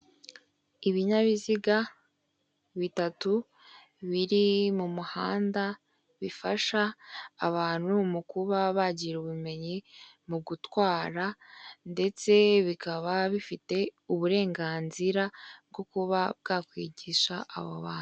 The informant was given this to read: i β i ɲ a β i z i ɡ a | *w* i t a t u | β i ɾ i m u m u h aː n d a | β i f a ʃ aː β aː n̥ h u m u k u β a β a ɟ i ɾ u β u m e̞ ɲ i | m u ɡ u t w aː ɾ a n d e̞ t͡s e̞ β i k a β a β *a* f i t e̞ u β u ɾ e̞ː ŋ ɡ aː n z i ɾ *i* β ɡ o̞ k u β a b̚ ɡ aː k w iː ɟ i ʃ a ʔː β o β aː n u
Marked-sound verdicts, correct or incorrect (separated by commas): incorrect, incorrect, incorrect